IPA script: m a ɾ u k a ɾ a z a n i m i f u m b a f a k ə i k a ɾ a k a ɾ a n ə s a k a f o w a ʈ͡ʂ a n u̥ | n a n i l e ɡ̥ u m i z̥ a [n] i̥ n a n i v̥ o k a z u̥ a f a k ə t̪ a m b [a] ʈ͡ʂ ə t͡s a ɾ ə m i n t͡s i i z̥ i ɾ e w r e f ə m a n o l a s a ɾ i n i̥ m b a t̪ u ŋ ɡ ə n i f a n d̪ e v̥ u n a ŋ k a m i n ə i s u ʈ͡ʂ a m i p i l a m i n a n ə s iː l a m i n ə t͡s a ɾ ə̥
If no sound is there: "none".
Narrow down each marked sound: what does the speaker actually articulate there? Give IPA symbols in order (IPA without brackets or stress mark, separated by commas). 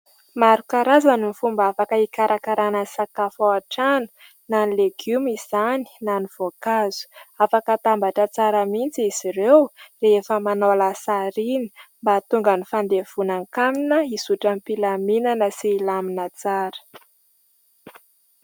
n, a